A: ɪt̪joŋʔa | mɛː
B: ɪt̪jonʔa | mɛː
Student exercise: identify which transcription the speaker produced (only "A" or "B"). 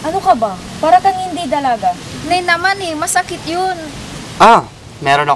B